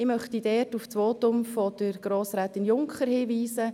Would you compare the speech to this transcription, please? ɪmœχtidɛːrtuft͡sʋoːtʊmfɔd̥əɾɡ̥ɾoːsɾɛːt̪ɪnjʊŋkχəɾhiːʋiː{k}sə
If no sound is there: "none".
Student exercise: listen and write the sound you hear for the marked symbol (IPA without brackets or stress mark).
none